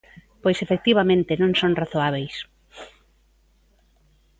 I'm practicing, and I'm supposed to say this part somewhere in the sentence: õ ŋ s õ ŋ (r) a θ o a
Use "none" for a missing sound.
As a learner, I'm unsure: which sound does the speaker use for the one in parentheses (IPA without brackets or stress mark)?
r